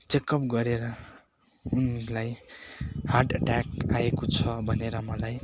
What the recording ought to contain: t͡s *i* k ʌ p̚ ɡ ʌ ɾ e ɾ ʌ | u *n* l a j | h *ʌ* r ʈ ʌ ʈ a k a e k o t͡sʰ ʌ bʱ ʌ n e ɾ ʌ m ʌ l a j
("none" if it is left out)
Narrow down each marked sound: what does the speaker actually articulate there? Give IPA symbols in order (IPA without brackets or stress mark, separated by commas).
e, n, a